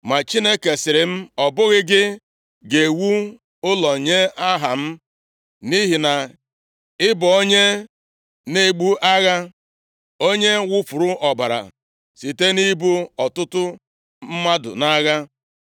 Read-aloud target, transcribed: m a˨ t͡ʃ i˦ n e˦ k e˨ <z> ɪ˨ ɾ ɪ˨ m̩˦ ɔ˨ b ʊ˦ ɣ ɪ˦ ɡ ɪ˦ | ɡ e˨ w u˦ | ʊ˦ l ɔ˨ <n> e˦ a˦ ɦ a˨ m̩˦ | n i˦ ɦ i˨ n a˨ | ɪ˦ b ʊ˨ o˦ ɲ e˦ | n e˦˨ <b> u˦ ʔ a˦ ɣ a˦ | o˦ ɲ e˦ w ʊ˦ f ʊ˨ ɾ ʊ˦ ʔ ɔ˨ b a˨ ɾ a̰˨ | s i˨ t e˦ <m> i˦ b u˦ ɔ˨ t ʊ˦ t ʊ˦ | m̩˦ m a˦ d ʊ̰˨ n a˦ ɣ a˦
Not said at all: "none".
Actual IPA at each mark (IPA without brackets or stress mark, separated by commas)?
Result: s, ɲ, ɡ͡b, n